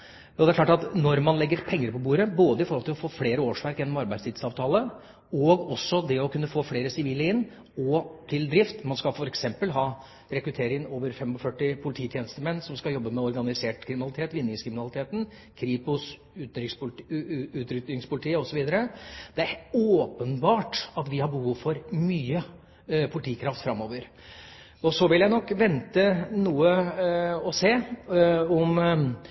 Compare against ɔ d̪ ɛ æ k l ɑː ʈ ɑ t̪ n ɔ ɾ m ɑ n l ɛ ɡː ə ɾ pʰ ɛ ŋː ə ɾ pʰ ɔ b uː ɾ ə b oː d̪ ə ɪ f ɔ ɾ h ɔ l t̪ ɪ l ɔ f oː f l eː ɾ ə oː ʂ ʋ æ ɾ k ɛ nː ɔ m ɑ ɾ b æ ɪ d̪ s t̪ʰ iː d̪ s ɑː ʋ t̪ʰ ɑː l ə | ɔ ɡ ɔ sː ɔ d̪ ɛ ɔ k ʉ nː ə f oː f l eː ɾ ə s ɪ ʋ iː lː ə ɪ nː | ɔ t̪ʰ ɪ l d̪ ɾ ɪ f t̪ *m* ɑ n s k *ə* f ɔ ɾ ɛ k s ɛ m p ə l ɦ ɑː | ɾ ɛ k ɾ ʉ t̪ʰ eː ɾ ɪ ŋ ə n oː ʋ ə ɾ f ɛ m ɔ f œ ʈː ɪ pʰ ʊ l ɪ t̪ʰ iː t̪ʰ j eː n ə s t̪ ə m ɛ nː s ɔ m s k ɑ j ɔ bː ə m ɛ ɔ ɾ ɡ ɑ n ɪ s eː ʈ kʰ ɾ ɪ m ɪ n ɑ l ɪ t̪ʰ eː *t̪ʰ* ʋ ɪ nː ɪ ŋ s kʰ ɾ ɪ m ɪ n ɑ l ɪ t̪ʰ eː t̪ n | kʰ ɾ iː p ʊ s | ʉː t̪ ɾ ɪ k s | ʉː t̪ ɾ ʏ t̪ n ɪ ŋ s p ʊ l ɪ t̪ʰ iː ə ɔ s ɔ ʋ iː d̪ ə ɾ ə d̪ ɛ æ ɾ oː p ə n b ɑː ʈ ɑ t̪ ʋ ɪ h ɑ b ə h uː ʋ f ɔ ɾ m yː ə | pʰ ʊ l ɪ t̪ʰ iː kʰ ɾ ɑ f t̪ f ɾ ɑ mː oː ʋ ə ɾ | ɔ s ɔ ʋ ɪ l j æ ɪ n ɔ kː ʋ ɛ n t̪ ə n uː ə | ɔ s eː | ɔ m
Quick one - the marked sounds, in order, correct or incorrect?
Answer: correct, incorrect, incorrect

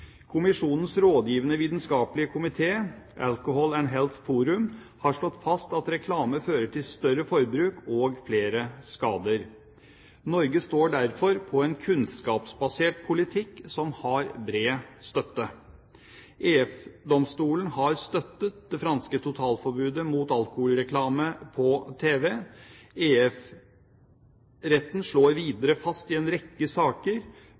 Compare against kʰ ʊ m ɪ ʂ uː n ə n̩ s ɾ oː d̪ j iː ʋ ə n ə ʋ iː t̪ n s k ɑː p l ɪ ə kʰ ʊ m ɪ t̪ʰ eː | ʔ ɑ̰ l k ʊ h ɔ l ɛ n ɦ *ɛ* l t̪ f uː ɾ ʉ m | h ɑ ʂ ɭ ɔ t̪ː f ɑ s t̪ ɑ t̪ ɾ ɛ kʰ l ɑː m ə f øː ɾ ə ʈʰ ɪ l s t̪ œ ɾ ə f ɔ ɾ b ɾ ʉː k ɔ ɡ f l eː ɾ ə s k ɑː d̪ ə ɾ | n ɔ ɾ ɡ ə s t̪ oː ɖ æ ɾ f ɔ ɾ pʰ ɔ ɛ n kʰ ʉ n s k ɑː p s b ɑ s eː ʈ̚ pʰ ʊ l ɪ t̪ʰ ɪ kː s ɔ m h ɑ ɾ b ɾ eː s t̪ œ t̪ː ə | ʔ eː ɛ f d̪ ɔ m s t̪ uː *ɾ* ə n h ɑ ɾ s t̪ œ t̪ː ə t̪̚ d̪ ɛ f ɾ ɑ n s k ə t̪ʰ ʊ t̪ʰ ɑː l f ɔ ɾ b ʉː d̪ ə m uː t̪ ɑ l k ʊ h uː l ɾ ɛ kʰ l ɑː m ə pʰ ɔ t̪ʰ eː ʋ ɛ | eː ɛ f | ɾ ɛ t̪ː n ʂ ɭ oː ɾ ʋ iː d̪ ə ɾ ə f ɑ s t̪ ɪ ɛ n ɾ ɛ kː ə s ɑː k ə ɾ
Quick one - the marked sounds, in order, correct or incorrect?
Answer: correct, incorrect

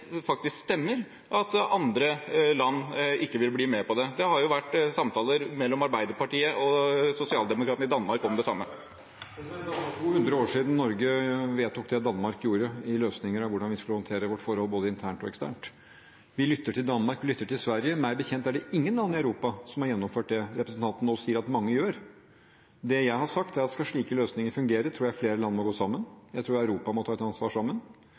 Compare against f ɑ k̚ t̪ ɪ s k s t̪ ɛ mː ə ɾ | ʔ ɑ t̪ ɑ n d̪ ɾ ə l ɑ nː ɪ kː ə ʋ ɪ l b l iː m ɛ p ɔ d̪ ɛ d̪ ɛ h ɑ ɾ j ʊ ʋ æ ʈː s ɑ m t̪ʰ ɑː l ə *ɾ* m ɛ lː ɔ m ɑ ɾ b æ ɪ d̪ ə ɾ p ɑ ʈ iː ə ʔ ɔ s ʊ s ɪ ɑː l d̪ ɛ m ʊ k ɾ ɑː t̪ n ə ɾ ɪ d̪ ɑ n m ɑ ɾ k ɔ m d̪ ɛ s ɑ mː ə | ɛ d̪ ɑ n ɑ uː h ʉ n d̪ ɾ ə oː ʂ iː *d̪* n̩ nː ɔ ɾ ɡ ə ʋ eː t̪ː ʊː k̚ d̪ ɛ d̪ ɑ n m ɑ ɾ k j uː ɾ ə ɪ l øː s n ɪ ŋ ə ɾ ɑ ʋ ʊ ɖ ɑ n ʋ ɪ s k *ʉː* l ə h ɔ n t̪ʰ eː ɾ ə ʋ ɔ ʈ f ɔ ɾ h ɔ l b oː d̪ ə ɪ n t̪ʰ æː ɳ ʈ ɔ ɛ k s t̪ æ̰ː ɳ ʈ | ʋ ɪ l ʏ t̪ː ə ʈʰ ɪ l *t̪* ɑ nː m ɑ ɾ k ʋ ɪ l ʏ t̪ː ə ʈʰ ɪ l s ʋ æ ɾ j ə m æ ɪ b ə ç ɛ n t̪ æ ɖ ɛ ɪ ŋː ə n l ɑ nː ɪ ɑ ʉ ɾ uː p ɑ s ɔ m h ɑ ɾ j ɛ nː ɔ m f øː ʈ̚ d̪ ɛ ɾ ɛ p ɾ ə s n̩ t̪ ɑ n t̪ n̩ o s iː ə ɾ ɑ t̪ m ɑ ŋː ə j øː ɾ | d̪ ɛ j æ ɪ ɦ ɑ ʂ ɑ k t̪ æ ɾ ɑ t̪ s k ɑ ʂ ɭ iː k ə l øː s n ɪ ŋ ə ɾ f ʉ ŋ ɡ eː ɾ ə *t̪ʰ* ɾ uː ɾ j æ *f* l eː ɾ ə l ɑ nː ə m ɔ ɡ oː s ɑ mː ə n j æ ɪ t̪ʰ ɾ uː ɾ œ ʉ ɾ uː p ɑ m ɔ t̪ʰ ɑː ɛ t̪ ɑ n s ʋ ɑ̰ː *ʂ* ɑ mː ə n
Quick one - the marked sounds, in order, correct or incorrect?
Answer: correct, correct, incorrect, incorrect, correct, correct, correct

